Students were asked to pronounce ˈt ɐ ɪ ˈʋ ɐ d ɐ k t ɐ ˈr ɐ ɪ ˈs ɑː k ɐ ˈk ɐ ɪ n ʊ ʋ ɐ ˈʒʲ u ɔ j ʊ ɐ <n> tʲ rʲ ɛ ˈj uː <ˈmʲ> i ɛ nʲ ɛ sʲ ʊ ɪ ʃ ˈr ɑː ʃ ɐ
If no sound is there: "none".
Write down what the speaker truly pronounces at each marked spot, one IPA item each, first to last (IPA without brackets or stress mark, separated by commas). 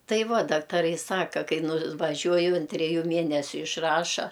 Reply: n, mʲ